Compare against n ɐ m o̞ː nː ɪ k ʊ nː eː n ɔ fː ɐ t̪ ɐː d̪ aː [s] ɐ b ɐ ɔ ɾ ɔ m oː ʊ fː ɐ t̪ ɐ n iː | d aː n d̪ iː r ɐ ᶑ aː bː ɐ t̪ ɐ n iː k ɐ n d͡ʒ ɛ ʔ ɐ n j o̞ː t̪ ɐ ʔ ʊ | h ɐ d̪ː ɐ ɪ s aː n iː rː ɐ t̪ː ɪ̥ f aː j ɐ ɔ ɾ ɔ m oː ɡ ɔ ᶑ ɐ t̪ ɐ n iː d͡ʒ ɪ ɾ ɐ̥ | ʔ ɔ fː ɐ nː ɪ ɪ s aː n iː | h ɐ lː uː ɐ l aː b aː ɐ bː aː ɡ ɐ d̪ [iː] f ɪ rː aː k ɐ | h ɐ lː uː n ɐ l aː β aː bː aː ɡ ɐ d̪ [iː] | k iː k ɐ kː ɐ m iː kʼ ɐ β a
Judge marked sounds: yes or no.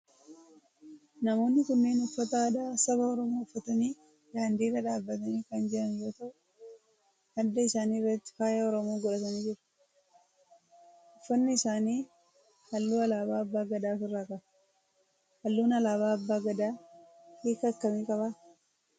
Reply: yes, no, no

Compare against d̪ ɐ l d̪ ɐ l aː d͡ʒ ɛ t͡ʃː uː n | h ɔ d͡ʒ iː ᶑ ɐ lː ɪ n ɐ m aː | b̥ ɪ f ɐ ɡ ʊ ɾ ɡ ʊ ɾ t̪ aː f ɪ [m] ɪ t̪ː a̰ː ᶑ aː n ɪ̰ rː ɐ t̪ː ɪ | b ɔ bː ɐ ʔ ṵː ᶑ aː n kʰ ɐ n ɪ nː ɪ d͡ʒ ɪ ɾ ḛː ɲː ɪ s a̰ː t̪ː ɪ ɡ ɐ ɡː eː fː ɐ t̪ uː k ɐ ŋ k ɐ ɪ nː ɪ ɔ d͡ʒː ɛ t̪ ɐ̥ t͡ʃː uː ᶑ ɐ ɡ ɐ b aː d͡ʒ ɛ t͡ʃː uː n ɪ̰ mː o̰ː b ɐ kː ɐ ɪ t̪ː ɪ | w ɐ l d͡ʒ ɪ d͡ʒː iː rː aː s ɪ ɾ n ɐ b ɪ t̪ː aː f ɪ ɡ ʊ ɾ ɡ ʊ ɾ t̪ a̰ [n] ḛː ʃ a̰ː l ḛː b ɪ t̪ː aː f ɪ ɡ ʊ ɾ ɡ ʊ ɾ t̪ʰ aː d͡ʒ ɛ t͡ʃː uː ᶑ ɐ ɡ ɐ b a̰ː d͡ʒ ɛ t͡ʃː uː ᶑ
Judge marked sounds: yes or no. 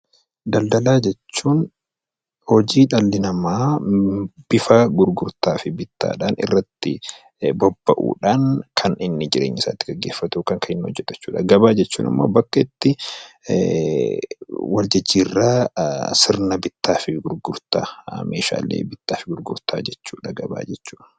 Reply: no, no

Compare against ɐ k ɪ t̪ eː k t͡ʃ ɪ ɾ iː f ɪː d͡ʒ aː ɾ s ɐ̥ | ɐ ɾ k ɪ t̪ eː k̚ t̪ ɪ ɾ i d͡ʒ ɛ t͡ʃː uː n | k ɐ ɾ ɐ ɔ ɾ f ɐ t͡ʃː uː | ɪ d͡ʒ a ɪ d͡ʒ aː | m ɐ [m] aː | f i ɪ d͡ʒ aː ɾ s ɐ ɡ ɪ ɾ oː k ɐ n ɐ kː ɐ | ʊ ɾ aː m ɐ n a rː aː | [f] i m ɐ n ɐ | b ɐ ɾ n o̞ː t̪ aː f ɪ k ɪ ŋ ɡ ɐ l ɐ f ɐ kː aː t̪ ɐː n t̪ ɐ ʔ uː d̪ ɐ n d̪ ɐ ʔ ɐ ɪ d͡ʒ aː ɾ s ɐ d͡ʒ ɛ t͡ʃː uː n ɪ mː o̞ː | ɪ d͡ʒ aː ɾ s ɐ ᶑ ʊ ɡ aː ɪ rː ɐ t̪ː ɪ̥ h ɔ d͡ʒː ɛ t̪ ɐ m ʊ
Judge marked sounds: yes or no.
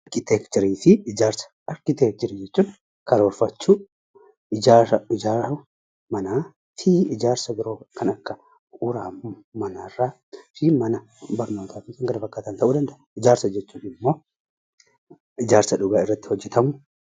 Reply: no, yes

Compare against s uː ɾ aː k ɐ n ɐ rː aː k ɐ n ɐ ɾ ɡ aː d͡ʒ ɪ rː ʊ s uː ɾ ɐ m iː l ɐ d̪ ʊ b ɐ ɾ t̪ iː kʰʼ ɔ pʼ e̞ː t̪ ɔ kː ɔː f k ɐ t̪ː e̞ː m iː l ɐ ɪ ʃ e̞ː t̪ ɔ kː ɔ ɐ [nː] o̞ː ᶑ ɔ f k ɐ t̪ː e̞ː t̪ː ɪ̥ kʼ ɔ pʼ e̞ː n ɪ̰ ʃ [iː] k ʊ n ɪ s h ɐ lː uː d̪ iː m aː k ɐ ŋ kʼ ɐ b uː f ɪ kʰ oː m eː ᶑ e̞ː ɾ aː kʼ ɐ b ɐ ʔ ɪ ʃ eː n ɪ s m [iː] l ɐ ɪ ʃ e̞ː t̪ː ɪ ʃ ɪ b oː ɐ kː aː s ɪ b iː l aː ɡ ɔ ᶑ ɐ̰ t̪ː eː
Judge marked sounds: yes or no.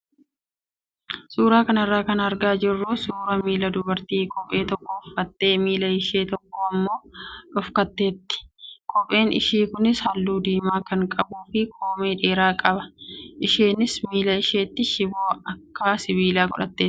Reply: no, yes, yes

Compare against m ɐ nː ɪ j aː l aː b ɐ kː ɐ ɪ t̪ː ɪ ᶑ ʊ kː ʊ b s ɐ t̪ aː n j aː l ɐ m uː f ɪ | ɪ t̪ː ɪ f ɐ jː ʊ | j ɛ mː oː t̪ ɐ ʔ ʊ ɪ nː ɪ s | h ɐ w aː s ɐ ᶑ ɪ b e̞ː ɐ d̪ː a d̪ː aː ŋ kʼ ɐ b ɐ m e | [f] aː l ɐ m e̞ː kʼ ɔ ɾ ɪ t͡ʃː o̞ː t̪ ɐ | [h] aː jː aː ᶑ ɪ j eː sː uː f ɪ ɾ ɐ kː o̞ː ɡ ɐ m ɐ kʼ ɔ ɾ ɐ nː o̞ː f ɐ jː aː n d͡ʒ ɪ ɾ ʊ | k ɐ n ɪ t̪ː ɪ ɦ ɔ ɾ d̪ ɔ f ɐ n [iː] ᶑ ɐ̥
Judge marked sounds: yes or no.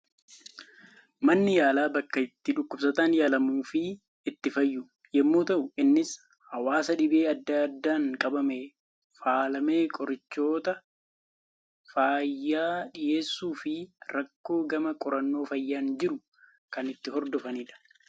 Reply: yes, no, yes

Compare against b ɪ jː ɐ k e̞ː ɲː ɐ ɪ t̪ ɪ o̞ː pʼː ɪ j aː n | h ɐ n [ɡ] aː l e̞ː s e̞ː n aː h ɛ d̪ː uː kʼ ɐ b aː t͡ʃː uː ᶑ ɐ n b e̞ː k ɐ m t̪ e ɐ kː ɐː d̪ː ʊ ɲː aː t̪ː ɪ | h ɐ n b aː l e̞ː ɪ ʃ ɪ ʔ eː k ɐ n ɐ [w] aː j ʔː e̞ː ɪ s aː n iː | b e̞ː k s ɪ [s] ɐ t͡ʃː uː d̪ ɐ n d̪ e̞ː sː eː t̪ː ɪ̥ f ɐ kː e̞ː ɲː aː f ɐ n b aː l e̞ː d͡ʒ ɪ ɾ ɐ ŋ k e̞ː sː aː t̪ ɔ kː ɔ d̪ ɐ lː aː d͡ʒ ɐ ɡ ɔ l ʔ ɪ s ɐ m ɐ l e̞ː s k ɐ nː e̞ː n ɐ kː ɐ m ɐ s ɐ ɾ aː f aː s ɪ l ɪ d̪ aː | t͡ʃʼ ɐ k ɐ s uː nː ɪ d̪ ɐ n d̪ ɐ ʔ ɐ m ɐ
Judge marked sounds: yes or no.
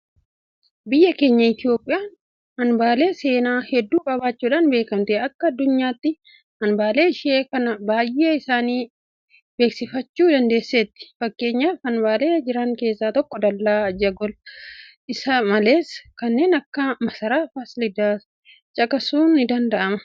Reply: no, no, no

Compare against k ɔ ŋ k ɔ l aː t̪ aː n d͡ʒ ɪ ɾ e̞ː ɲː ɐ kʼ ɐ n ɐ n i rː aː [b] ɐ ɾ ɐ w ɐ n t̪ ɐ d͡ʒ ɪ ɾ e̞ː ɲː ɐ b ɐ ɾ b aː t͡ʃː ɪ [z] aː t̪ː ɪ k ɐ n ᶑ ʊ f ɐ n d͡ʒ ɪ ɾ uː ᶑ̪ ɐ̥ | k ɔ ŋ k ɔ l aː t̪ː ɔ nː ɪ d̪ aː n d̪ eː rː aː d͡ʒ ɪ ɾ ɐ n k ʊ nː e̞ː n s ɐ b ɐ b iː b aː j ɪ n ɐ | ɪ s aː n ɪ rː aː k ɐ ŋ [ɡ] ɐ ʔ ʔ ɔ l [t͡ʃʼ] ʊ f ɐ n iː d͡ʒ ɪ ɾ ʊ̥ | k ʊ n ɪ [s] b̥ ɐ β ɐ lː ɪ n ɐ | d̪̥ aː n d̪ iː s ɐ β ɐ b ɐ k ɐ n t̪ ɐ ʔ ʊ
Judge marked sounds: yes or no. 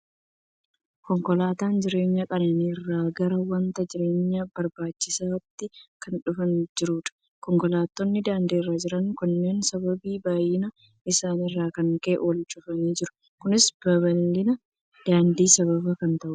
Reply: no, no, no, yes, yes

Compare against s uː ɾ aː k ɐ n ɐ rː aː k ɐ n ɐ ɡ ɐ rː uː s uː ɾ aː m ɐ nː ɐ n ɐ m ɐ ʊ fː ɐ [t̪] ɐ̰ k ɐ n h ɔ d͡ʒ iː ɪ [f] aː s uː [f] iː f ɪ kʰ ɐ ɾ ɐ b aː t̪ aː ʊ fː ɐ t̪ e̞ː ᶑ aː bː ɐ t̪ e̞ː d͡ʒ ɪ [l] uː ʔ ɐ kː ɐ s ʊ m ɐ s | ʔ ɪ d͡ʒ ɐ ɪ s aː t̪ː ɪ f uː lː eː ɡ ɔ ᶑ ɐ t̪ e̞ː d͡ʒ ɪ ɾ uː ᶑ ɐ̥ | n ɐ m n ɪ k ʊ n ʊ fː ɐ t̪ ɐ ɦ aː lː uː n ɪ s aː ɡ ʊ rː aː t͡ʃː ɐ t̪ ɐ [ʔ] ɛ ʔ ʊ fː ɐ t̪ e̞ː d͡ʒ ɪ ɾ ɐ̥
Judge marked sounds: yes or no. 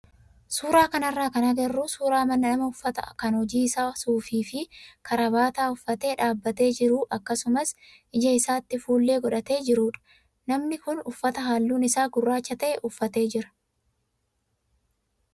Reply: yes, no, yes, no, yes

